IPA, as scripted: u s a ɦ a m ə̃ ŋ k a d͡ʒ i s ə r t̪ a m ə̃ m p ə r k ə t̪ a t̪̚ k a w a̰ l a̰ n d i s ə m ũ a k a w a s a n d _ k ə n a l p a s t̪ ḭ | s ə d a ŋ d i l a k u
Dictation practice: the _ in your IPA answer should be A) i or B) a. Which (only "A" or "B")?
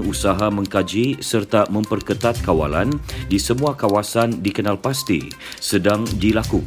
A